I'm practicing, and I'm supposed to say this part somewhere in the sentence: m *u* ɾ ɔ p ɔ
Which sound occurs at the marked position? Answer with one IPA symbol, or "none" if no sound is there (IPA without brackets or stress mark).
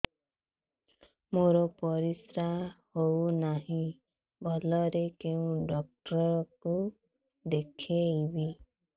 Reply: o